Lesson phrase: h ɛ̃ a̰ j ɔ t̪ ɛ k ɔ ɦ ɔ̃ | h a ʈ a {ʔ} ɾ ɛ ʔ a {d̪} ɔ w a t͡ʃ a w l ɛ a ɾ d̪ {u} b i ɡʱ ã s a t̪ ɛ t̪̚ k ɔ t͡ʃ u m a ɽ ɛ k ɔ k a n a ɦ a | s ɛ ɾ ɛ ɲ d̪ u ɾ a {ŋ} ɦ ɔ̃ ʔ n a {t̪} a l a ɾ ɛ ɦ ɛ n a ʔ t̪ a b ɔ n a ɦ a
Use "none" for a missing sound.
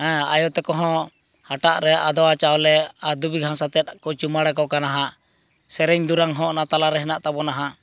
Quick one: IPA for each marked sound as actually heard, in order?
ʔ, d̪, u, ŋ, t̪

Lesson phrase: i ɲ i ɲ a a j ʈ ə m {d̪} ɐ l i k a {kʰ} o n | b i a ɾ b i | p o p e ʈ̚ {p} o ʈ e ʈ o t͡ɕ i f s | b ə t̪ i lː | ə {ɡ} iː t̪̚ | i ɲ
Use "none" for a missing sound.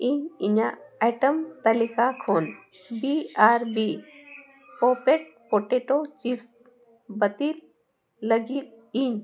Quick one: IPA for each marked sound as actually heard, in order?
t̪, kʰ, p, ɡ

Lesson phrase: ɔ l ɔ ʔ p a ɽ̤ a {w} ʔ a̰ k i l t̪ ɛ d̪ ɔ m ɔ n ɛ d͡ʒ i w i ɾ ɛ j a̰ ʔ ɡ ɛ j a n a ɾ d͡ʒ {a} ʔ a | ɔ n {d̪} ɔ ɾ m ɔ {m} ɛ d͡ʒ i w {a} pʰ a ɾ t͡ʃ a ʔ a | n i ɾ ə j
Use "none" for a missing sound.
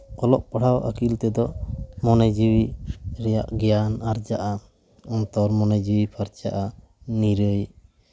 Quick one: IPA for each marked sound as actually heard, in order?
w, a, t̪, n, i

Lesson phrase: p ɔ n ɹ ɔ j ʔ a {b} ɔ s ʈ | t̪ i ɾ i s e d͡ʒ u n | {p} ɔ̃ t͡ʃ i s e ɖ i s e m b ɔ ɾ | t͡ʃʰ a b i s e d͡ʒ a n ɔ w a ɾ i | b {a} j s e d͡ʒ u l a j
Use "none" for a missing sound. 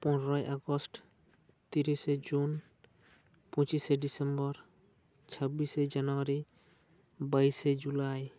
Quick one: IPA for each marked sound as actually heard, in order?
ɡ, p, a

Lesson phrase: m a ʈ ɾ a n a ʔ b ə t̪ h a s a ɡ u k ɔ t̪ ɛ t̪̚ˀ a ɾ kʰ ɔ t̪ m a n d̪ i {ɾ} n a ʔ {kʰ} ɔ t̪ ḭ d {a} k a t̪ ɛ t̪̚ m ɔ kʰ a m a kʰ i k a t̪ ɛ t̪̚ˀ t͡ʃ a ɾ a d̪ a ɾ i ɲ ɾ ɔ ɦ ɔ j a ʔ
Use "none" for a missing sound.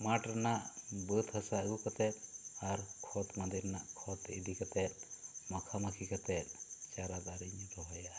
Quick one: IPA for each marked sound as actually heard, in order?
ɾ, kʰ, i

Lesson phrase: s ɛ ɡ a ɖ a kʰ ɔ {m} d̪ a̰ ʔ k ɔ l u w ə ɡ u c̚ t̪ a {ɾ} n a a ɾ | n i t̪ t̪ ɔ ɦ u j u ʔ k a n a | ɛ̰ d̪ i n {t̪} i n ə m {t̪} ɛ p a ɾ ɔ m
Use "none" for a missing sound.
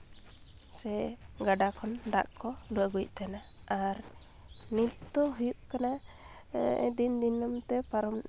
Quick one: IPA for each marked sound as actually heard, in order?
n, none, d̪, t̪

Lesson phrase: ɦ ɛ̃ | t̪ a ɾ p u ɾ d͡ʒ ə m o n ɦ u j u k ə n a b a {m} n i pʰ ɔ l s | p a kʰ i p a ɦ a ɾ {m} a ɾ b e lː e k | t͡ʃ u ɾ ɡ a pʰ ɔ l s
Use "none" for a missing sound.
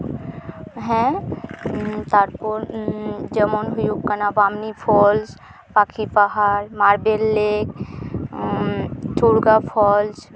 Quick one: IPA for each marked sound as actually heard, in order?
m, m

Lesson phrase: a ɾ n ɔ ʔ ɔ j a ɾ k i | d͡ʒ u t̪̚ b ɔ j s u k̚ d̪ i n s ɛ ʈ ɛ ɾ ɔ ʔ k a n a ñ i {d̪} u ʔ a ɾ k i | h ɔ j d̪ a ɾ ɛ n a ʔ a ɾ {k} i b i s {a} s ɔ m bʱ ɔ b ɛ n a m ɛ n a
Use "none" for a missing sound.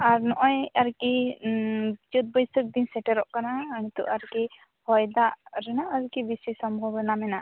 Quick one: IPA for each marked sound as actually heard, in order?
t̪, k, i

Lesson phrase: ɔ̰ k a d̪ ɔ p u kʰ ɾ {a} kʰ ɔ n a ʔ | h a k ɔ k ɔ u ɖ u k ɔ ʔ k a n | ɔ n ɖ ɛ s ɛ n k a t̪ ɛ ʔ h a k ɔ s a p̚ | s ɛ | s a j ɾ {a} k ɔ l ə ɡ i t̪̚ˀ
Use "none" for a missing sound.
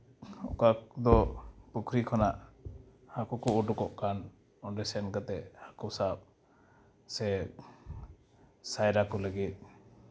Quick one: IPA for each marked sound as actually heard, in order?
i, a

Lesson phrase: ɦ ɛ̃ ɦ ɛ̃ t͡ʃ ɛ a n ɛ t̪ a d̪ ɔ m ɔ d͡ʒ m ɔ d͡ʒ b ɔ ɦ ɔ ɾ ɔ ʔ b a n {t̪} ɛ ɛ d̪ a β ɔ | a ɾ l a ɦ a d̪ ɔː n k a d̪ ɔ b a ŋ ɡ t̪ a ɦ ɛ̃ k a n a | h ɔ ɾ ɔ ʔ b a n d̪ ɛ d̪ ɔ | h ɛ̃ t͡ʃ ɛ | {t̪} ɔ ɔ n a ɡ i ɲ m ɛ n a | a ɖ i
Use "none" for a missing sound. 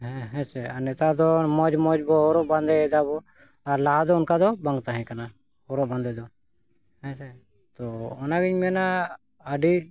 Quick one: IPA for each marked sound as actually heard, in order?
d̪, t̪

